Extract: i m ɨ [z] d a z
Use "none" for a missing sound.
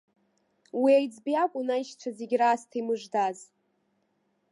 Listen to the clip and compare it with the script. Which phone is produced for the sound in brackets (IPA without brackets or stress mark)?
ʐ